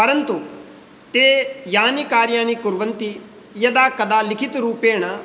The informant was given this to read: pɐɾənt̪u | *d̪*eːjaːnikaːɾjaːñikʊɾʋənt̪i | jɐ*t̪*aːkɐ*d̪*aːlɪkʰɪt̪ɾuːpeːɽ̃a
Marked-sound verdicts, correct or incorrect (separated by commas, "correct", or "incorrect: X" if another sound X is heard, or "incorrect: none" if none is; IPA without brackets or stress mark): incorrect: t̪, incorrect: d̪, correct